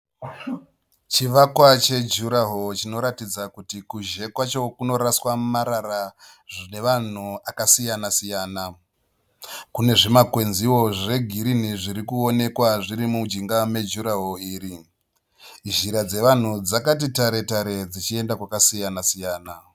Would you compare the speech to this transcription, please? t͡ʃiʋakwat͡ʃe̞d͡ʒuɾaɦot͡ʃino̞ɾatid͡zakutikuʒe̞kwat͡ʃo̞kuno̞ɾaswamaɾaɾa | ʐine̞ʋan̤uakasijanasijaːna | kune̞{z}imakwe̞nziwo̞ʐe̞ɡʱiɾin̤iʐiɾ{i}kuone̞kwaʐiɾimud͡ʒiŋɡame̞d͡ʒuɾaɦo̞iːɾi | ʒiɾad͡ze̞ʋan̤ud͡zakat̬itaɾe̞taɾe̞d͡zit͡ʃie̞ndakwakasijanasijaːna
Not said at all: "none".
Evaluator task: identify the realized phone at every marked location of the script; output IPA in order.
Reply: ʐ, i

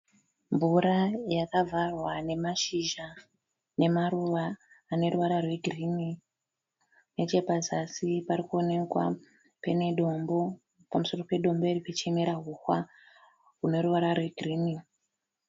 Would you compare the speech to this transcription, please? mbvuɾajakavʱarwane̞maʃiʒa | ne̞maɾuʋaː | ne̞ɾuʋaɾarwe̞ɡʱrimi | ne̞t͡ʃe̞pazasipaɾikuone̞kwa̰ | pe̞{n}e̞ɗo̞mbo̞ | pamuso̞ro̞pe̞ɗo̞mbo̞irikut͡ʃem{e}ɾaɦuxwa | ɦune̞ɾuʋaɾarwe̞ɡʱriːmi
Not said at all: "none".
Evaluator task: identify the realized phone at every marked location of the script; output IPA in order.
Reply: n, e

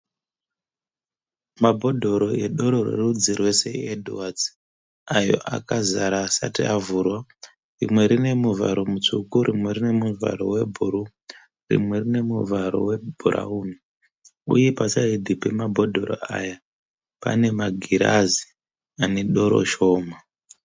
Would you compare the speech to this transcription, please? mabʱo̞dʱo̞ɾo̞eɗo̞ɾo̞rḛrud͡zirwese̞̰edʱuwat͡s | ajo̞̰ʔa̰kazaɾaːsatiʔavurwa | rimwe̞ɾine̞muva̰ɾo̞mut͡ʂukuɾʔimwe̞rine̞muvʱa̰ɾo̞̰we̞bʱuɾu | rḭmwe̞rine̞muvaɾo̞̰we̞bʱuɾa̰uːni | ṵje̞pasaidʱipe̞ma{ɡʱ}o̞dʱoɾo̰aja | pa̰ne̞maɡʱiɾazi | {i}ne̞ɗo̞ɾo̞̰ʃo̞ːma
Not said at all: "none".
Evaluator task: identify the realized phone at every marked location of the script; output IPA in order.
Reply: bʱ, a

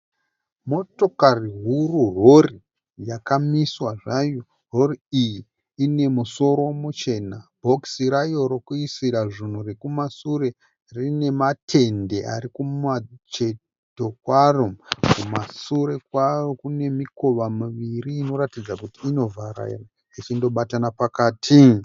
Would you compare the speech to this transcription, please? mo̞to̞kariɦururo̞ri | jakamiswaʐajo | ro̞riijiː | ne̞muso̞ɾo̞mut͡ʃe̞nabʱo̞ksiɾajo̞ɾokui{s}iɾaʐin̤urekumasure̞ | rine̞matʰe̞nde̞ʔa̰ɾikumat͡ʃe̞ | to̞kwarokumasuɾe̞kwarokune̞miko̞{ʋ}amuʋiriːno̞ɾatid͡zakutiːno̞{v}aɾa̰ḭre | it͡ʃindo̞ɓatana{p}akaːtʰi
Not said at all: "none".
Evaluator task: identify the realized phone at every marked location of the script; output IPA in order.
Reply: s, ʋ, v, p

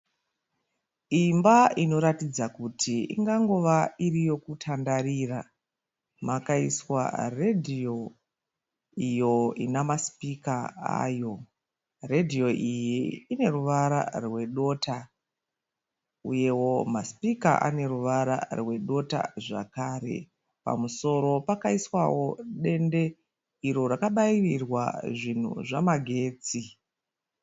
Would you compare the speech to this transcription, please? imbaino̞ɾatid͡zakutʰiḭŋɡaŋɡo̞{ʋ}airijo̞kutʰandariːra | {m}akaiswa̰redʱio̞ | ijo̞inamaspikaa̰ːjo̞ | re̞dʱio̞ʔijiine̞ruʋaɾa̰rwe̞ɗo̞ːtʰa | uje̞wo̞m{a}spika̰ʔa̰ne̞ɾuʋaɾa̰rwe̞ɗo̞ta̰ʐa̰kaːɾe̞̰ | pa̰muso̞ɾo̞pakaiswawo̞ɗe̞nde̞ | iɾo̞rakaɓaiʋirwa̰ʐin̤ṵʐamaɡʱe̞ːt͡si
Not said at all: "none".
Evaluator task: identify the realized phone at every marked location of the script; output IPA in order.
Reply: ʋ, m, a

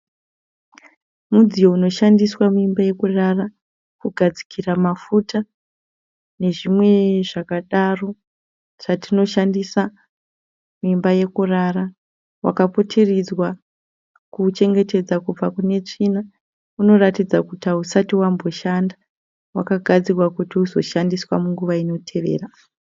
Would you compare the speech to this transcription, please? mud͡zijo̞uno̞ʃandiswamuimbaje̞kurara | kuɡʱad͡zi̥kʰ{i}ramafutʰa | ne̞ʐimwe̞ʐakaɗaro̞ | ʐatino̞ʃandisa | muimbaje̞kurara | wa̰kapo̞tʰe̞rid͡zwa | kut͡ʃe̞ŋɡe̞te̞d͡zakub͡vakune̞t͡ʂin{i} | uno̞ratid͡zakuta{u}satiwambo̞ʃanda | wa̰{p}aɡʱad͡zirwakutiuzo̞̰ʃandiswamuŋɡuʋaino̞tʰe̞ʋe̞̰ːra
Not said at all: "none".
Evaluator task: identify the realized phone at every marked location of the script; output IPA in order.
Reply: i, a, u, k

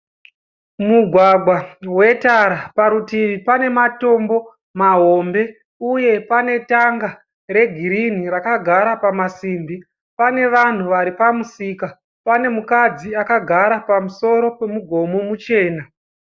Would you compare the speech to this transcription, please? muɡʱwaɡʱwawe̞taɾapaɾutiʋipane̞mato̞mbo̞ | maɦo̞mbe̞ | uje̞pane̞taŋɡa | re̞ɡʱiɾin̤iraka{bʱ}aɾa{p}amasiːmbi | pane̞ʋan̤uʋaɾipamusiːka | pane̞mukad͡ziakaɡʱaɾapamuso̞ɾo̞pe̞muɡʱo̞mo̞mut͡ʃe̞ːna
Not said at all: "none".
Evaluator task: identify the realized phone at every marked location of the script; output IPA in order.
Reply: ɡʱ, p

